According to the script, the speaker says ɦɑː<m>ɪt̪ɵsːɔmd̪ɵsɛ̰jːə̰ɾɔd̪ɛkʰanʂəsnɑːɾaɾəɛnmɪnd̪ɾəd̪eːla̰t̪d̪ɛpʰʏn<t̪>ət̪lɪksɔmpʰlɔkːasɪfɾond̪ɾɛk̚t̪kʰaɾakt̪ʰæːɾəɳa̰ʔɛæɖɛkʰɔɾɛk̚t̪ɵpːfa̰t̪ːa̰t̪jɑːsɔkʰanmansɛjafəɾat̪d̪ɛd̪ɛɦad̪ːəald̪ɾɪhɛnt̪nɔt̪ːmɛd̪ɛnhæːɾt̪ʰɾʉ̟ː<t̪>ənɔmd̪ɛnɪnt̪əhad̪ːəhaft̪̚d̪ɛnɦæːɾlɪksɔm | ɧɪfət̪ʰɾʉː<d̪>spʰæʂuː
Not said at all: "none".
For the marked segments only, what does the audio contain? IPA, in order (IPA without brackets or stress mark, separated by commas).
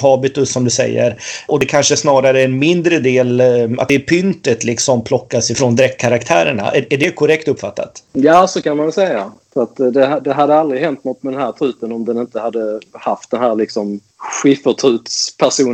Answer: b, t̪, t̪, t̪